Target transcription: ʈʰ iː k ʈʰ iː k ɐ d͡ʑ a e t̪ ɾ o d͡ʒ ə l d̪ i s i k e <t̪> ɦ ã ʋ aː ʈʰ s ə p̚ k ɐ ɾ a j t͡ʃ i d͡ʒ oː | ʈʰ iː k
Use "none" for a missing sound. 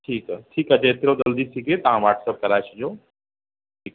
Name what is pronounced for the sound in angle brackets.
t̪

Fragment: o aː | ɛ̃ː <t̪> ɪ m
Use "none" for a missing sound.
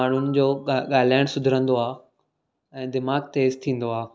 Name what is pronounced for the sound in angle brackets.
d̪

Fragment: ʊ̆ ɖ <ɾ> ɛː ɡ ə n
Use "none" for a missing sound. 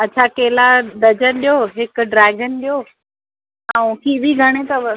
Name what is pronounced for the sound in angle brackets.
ɾ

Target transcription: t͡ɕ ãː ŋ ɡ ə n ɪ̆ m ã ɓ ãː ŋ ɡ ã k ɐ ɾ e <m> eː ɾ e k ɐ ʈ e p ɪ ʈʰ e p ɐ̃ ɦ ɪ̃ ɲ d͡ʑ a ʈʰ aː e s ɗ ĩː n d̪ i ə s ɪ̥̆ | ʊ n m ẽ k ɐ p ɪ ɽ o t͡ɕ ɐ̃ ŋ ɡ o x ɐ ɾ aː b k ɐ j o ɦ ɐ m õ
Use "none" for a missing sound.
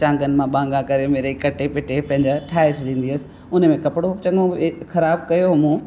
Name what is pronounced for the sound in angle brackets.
m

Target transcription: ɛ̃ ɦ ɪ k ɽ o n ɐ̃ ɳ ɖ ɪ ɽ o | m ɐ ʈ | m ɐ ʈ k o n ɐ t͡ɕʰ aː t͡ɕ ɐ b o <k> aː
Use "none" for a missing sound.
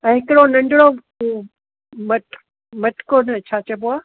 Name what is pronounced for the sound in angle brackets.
none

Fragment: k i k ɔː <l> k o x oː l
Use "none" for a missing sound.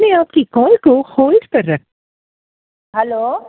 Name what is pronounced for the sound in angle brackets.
l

